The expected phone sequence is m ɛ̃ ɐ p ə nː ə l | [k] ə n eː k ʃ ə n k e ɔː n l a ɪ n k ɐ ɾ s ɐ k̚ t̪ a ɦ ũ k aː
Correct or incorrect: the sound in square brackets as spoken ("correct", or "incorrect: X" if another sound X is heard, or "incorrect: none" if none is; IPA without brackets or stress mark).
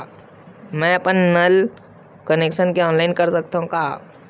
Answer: correct